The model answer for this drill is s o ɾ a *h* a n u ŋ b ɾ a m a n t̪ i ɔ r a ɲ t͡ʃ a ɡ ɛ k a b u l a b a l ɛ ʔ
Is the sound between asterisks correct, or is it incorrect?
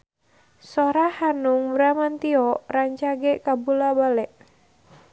correct